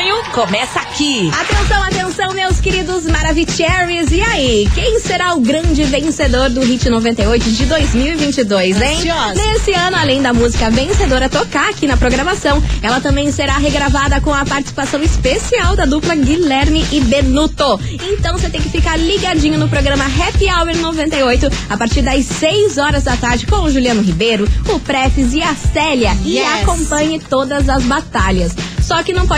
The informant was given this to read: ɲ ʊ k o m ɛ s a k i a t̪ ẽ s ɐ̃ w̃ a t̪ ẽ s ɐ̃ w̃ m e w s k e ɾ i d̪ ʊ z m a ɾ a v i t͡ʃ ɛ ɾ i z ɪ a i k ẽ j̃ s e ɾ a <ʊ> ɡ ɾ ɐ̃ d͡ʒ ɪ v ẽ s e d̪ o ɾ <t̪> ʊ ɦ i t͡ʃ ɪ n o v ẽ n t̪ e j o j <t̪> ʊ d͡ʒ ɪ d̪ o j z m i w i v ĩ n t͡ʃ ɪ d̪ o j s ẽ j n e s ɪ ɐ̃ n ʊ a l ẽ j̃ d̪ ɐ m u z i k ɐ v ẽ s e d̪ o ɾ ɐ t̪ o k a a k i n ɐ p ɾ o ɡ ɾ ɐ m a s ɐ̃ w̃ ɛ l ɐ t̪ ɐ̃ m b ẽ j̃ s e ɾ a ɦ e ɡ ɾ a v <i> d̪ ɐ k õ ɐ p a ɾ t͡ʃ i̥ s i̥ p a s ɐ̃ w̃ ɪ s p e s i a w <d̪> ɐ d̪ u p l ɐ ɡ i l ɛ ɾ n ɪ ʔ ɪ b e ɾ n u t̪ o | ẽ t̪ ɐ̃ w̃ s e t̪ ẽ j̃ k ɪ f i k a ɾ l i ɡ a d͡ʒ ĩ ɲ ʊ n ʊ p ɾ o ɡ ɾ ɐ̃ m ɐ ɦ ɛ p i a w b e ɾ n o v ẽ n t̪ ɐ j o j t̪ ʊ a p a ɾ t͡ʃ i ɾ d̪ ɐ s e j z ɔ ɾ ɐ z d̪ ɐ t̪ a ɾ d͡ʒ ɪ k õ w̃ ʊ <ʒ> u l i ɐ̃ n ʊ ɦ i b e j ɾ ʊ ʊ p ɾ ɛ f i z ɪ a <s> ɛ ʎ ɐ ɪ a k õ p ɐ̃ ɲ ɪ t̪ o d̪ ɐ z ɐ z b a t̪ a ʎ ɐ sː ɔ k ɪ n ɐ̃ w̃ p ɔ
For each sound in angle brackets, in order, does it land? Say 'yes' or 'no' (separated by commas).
yes, no, yes, no, yes, yes, yes